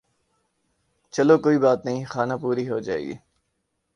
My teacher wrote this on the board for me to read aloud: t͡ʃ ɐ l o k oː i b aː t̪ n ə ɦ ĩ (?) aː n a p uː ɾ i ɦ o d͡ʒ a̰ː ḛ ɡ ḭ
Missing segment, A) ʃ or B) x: B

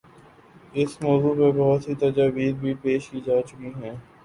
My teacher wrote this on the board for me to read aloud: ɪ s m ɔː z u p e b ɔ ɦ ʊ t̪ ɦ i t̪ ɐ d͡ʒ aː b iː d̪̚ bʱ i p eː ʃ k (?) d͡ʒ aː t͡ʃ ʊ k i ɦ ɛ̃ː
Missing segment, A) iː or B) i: A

